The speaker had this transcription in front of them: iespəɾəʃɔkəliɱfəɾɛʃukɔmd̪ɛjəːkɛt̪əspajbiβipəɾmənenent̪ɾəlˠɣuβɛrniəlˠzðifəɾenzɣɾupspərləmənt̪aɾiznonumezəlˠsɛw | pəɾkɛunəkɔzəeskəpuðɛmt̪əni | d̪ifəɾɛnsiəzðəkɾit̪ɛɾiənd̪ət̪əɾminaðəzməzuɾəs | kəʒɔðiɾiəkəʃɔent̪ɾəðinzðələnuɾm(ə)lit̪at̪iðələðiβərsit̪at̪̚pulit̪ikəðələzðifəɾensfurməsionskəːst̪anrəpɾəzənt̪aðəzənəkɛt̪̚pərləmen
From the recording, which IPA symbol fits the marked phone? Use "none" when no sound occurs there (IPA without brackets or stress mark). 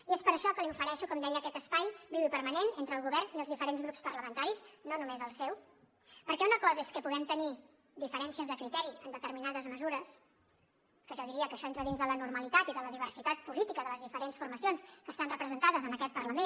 ə